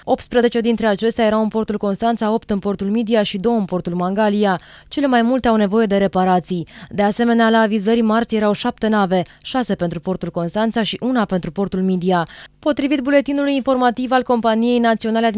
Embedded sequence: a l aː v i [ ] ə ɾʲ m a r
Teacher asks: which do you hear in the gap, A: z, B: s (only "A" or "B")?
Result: A